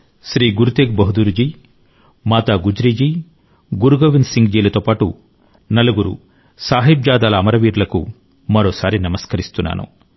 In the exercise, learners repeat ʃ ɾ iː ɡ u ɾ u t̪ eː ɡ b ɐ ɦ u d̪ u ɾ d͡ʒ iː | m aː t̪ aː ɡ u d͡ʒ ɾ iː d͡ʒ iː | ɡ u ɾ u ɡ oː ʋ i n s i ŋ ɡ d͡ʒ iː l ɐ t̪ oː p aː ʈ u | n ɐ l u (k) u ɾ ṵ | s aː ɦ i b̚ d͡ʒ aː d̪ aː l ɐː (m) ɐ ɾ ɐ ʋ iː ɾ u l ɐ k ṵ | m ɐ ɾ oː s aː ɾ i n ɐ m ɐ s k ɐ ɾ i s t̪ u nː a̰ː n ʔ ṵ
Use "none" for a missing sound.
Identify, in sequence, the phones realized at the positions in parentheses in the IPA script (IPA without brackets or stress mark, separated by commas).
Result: ɡ, m